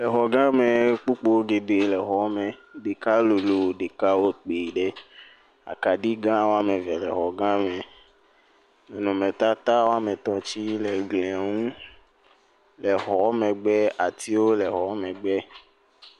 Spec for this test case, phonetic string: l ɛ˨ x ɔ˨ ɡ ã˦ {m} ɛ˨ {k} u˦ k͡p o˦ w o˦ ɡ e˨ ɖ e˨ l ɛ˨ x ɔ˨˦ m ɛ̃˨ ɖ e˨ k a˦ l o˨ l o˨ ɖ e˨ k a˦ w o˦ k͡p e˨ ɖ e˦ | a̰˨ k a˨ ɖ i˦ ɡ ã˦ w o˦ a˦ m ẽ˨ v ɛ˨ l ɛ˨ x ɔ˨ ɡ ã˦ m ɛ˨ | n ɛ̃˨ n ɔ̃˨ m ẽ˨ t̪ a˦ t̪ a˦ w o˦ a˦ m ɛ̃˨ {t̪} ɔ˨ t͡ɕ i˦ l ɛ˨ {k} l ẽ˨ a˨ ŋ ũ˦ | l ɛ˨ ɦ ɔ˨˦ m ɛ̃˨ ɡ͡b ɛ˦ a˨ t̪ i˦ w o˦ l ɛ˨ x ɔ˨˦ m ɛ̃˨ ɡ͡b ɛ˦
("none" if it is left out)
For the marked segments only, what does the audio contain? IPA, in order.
m, k͡p, t̪, ɡ

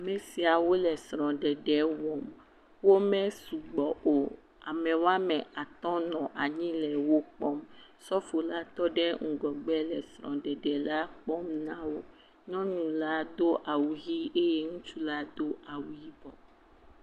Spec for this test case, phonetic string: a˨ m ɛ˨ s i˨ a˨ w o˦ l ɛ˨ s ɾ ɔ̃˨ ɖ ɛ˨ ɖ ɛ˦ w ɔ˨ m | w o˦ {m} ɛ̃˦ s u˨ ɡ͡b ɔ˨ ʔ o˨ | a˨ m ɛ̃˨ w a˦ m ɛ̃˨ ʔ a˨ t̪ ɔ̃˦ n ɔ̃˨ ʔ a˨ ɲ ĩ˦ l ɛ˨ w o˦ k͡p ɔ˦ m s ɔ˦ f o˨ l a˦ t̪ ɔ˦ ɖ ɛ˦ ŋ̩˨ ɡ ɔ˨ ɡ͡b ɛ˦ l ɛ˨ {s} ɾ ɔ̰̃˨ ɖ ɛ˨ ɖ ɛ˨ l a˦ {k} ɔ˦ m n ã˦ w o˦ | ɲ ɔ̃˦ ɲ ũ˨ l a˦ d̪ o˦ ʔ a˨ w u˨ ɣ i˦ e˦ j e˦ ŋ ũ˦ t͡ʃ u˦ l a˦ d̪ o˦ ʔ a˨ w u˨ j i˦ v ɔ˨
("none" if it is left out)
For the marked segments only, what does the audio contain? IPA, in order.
m, s, k͡p

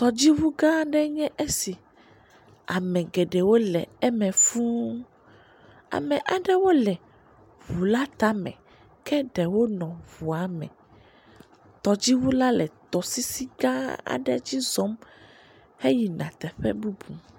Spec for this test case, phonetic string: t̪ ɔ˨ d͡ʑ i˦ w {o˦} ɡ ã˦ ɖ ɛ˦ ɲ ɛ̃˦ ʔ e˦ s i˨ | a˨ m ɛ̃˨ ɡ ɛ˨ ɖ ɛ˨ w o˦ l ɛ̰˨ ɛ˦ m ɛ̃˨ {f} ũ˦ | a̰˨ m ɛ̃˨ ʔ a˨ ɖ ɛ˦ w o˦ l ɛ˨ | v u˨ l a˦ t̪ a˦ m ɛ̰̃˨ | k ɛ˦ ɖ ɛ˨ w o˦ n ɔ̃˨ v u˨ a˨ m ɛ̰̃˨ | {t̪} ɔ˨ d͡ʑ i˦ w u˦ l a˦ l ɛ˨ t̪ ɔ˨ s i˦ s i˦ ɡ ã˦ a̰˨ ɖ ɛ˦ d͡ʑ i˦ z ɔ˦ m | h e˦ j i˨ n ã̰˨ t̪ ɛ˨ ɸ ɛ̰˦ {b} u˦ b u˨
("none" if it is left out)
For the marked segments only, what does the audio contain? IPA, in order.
u˦, f, t̪, b

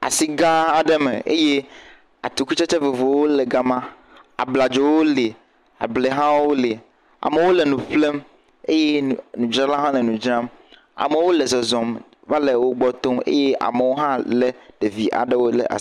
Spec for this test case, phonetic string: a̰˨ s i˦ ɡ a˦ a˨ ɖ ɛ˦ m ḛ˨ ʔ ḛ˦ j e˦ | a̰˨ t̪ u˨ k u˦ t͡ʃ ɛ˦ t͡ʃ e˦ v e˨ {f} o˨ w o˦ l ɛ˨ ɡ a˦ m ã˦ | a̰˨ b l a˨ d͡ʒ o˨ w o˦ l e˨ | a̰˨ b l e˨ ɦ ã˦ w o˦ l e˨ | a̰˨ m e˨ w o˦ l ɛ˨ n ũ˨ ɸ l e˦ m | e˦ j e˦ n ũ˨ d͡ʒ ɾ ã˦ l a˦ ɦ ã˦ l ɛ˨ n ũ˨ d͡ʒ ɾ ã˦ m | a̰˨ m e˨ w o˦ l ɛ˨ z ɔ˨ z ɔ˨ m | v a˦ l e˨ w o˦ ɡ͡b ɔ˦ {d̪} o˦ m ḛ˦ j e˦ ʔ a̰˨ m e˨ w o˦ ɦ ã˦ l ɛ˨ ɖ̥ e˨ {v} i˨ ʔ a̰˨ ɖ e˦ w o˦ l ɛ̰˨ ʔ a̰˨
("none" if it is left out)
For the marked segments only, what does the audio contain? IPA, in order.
v, t̪, v

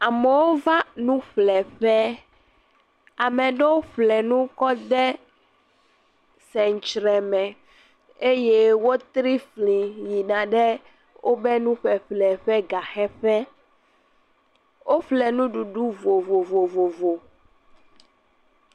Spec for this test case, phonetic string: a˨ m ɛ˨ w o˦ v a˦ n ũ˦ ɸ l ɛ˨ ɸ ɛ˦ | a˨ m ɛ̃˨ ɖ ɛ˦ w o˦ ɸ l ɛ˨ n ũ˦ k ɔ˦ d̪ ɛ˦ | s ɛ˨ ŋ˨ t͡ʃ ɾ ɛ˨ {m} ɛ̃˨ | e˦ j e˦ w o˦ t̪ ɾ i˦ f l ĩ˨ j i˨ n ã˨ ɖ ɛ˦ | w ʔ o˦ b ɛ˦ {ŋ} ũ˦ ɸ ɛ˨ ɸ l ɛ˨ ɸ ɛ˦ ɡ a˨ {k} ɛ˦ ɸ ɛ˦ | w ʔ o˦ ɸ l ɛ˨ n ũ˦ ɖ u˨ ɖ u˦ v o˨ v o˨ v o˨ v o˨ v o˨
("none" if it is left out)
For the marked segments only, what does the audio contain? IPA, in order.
m, n, x

